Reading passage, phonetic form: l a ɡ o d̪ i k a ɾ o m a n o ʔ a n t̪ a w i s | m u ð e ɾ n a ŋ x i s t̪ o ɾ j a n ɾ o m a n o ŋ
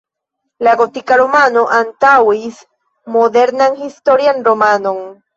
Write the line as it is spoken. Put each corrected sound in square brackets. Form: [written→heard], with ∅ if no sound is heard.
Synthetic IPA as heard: l a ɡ o [d̪→t̪] i k a ɾ o m a n o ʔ a n t̪ a w i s | m [u→o] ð e ɾ n a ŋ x i s t̪ o ɾ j a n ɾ o m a n o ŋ